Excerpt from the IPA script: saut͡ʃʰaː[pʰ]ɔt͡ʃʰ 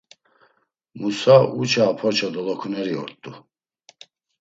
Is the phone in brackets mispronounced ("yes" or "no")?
no